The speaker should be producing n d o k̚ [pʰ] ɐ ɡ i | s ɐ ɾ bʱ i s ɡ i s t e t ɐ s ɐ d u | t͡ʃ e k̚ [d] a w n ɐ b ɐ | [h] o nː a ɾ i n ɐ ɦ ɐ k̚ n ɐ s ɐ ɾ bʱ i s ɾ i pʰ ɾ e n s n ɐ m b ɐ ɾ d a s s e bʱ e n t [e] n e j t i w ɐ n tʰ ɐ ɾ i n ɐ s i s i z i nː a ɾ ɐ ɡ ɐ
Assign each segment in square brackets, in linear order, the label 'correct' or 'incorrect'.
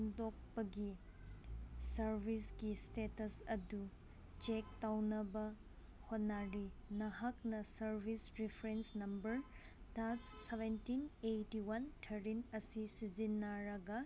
incorrect: p, incorrect: t, correct, incorrect: i

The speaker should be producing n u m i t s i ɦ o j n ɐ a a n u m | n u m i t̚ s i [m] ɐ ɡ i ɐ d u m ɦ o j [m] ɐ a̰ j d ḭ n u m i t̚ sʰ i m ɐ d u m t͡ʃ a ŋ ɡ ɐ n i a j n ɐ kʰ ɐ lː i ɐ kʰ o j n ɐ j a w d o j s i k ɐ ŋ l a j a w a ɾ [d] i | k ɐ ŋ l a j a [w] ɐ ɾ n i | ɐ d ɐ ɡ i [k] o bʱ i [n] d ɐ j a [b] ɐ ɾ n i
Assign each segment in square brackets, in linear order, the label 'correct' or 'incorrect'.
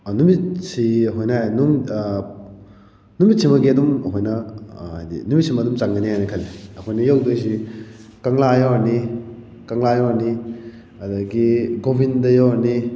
correct, incorrect: n, incorrect: n, correct, incorrect: ɡ, correct, incorrect: w

